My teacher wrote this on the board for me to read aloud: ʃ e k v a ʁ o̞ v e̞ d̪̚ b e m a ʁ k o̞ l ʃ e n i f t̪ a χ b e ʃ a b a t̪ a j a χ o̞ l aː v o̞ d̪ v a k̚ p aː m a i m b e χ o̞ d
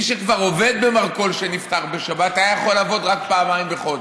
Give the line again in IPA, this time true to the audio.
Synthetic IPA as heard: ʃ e k v a ʁ o̞ v e̞ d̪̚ b e m a ʁ k o̞ l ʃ e n i f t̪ a ʁ b e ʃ a b a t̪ a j a χ o̞ l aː v o̞ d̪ ʁ a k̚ p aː m a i m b e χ o̞ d